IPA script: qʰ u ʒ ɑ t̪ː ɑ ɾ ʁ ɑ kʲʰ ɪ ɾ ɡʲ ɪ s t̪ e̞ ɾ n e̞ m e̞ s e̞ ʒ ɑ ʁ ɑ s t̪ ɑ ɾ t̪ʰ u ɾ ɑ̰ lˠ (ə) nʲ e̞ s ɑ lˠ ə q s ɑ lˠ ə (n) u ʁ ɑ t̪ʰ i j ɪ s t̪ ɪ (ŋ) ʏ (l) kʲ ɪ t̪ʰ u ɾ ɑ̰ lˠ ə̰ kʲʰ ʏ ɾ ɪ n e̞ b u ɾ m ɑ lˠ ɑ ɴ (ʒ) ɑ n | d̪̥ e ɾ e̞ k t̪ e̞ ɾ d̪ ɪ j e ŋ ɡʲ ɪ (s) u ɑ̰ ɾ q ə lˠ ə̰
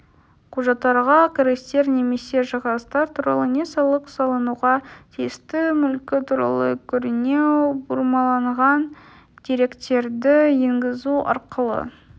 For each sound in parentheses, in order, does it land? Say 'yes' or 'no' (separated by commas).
yes, yes, no, yes, no, no